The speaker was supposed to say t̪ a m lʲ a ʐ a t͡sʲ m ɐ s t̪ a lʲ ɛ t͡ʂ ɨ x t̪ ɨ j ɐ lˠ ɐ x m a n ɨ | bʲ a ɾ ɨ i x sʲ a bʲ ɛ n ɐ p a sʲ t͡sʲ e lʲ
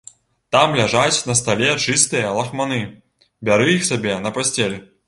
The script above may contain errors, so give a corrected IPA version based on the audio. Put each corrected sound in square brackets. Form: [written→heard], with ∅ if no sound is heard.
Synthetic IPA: t̪ a m lʲ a ʐ a t͡sʲ [m→n] ɐ s t̪ a lʲ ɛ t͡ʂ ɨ [x→s] t̪ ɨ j ɐ lˠ ɐ x m a n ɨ | bʲ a ɾ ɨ i x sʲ a bʲ ɛ n ɐ p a sʲ t͡sʲ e lʲ